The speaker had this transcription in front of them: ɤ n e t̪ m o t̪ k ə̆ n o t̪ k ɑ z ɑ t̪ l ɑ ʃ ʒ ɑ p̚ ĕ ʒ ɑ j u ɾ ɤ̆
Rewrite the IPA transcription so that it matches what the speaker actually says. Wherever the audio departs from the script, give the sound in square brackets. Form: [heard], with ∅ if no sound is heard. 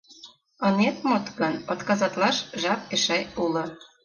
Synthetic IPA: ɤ n e t̪ m o t̪ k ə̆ n o t̪ k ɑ z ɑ t̪ l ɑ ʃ ʒ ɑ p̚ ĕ [ʃ] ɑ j u [l] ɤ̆